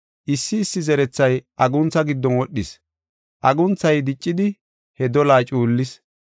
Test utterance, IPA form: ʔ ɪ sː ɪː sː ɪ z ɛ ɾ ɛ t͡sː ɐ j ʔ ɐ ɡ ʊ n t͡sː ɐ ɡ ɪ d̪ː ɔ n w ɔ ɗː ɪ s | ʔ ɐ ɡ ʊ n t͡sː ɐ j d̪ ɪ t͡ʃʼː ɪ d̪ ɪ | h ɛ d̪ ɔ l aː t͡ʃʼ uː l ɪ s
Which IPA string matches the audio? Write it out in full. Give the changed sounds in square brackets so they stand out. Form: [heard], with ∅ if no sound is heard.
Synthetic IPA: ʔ ɪ sː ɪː sː ɪ z ɛ ɾ ɛ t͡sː ɐ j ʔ ɐ ɡ ʊ n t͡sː ɐ ɡ ɪ d̪ː ɔ n w ɔ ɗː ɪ s | ʔ ɐ ɡ ʊ n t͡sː ɐ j d̪ ɪ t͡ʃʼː ɪ d̪ ɪ | h ɛ d̪ ɔ l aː t͡ʃʼ uː [lː] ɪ s